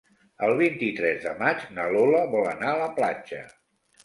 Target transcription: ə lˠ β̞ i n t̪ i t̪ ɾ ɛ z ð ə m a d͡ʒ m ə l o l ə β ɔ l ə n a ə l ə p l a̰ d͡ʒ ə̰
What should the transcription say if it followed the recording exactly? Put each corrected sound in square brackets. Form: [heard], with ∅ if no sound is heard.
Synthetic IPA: ə lˠ β̞ i n t̪ i t̪ ɾ ɛ z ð ə m a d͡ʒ [n] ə l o l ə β ɔ l ə n a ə l ə p l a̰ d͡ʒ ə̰